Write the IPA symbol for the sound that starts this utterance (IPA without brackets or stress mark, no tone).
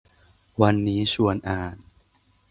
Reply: w